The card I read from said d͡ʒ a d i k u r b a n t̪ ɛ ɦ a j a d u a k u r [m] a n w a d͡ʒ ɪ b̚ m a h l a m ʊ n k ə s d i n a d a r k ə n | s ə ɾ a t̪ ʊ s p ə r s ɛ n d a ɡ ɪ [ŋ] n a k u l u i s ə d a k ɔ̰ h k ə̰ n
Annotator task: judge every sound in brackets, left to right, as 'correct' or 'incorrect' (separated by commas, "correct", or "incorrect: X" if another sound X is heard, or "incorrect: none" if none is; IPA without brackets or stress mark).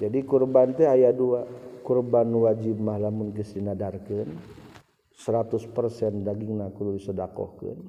incorrect: b, correct